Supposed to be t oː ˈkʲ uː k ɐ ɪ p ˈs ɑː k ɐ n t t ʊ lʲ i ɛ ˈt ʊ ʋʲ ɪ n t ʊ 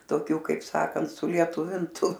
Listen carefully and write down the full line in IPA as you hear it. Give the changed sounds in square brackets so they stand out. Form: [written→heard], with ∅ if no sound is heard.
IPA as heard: t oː ˈkʲ uː k ɐ ɪ p ˈs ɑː k ɐ n t [t→s] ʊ lʲ i ɛ ˈt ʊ ʋʲ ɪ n t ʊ